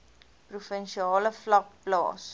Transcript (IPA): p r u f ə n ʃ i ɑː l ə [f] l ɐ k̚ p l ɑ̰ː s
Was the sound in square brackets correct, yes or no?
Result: yes